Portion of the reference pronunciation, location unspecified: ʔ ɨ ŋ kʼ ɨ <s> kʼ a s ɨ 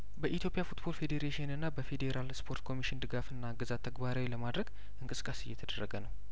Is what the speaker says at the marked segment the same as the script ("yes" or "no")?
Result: yes